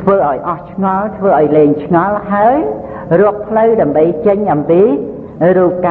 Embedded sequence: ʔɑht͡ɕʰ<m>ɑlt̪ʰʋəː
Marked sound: incorrect: ŋ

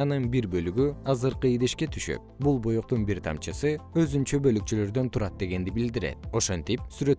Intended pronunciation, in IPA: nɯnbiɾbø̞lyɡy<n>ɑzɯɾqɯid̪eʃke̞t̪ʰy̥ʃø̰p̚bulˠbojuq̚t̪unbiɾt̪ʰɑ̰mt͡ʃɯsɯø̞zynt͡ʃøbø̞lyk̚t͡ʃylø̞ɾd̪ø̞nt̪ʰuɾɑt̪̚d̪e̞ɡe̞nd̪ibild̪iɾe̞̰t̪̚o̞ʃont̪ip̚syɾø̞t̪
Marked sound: incorrect: none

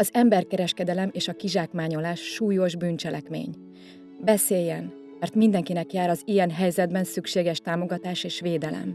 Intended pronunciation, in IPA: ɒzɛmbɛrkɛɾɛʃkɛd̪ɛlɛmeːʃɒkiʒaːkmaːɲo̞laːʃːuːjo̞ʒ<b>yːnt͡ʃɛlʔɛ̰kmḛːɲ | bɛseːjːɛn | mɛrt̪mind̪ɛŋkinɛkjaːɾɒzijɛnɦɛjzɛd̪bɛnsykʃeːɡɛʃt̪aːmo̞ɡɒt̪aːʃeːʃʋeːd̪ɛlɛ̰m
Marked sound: correct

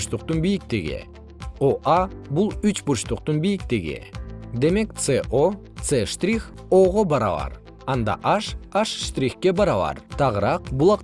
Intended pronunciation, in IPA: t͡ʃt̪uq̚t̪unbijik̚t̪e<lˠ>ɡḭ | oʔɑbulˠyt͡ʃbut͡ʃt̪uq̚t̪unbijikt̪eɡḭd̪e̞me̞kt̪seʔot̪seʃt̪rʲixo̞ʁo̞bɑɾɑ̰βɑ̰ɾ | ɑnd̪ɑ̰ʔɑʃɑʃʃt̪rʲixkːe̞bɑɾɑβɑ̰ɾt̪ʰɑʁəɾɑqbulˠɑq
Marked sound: incorrect: none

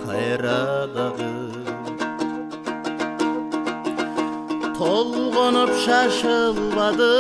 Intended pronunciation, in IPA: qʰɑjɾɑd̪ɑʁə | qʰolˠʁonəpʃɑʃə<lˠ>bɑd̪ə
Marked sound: correct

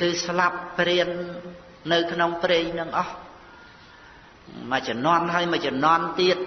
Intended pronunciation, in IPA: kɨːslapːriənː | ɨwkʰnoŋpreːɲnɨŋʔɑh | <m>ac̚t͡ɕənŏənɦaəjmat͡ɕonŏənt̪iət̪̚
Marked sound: correct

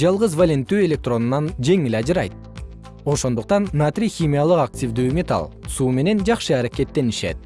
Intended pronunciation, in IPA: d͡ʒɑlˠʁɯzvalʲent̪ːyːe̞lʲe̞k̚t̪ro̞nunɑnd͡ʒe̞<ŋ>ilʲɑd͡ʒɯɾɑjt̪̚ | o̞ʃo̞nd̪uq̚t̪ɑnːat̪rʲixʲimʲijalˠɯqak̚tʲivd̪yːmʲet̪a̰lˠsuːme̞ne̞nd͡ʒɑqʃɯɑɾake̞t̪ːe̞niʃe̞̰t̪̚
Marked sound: correct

